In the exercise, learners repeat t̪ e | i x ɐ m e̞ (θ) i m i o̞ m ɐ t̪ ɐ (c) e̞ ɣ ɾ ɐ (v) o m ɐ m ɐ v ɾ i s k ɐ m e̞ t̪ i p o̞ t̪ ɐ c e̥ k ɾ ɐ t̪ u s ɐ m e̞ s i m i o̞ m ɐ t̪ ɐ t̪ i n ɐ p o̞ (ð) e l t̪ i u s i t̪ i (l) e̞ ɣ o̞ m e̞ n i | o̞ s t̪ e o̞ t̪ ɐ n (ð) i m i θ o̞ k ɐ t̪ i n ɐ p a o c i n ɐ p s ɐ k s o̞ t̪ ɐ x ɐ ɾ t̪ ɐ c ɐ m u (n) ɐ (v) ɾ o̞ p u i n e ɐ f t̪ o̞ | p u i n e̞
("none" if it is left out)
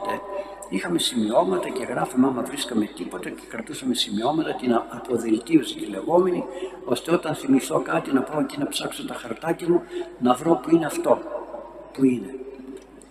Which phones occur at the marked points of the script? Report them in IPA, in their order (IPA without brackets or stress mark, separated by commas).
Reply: s, c, f, ð, l, θ, n, v